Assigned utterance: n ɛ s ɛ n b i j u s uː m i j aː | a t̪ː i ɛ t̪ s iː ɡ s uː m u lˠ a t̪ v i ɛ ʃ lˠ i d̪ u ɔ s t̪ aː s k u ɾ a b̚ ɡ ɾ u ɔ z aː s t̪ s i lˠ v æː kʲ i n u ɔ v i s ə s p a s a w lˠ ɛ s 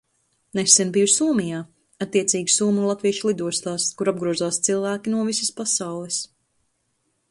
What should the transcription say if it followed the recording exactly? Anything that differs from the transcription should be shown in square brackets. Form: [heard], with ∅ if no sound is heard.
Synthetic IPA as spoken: n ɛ s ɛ n b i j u s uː m i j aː | a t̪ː i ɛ t̪ s iː ɡ s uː m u lˠ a t̪ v i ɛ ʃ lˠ i d̪ u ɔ s t̪ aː s k u ɾ a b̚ ɡ ɾ u ɔ z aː s t̪ s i lˠ v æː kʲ i n u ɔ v i s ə s p a s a w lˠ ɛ s